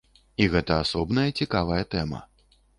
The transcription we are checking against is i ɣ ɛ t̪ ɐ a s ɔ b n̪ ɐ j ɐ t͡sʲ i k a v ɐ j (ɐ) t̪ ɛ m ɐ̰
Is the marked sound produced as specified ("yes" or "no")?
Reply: yes